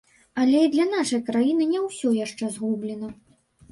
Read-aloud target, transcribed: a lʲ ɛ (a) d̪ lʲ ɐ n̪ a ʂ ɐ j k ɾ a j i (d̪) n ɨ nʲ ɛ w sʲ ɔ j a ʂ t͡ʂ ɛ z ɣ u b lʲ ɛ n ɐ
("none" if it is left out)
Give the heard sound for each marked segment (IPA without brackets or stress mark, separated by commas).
i, none